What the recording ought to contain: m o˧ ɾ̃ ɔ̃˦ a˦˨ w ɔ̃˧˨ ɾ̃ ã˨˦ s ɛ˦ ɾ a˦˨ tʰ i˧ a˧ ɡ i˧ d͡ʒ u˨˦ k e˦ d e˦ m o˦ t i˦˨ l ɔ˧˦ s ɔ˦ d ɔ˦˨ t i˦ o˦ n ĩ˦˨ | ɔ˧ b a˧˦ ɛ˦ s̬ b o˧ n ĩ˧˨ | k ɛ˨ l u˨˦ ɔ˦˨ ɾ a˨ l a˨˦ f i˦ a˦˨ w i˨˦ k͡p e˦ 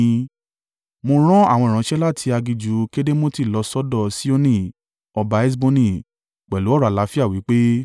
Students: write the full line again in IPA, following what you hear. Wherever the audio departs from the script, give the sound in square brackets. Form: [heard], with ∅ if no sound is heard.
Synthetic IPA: m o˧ ɾ̃ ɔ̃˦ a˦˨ w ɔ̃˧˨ ɾ̃ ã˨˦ [ʃ] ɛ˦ [l] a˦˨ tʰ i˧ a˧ ɡ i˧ d͡ʒ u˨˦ k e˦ d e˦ m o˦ t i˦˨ l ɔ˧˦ s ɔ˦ d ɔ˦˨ [s] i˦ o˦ n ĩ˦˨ | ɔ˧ b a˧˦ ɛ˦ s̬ b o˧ n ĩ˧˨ | [k͡p] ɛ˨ l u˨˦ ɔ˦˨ ɾ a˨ l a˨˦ f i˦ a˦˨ w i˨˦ k͡p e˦